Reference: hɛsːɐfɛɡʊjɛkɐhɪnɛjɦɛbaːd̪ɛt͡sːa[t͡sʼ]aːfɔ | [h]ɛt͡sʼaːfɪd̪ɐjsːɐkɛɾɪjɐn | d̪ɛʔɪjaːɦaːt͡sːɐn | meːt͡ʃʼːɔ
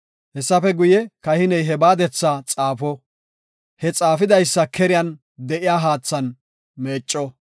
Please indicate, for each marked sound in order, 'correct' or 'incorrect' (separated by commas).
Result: correct, correct